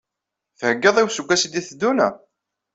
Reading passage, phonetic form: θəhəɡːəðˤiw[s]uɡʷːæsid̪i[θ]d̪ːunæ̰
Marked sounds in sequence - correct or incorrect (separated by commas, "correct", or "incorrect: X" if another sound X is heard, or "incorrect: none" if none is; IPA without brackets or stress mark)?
correct, correct